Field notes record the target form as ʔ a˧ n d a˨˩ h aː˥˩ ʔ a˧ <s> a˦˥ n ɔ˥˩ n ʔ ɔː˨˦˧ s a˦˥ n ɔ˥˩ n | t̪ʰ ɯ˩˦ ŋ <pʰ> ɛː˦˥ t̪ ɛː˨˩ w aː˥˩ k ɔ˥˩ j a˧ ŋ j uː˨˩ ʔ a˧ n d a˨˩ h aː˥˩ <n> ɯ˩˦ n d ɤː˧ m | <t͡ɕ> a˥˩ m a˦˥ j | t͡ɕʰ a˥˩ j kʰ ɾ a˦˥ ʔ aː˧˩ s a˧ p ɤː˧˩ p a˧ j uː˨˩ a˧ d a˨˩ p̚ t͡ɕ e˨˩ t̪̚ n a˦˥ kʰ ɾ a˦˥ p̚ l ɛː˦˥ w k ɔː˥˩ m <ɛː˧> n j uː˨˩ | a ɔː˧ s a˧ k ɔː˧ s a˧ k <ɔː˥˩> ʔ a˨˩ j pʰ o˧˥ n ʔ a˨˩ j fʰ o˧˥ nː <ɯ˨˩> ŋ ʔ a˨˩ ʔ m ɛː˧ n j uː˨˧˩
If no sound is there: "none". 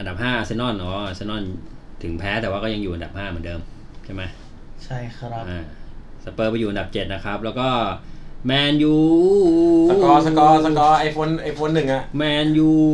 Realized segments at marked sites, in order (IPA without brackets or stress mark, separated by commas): s, pʰ, m, t͡ɕʰ, ɛː˧, ɔː˧, ɯ˨˩